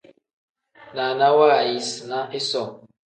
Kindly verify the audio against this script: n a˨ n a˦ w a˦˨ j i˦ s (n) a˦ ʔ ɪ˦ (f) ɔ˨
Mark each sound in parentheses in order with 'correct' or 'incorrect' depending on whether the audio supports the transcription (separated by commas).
correct, incorrect